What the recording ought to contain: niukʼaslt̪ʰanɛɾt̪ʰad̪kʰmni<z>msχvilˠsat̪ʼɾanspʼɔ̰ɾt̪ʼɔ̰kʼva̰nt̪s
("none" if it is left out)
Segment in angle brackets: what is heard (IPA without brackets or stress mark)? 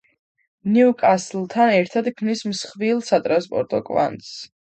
s